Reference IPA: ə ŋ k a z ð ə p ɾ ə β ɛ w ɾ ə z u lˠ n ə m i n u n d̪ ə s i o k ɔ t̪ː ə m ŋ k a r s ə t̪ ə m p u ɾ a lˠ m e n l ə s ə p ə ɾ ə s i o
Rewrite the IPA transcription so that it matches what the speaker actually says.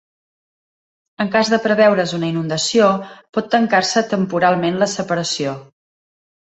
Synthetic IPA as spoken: ə ŋ k a z ð ə p ɾ ə β ɛ w ɾ ə z u n ə i n u n d̪ ə s i o p ɔ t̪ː ə ŋ k a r s ə t̪ ə m p u ɾ a lˠ m e n l ə s ə p ə ɾ ə s i o